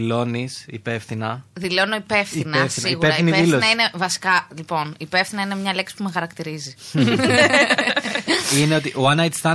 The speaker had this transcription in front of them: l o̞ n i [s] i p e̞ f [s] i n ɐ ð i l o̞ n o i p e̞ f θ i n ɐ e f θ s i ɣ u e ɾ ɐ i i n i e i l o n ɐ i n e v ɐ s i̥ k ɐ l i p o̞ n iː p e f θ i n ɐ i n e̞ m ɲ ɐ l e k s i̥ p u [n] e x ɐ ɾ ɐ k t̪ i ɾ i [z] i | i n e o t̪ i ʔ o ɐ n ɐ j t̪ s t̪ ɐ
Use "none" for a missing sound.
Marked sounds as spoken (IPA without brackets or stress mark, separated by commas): s, θ, m, z